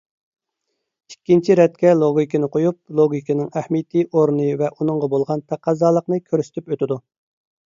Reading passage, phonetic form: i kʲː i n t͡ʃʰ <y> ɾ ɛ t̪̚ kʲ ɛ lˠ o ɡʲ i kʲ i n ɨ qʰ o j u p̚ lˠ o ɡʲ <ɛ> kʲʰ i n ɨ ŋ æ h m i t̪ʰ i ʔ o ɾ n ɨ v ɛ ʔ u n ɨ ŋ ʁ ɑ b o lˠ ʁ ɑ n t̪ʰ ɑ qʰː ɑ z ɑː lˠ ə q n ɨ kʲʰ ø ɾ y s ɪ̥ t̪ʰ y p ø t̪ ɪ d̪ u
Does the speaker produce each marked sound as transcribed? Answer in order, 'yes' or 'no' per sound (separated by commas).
no, no